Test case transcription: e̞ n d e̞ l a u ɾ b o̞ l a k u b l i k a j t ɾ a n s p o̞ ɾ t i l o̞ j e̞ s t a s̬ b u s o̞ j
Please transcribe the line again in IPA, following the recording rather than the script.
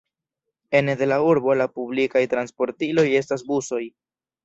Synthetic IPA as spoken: e̞ n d e̞ l a u ɾ b o̞ l a p u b l i k a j t ɾ a n s p o̞ ɾ t i l o̞ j e̞ s t a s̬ b u s o̞ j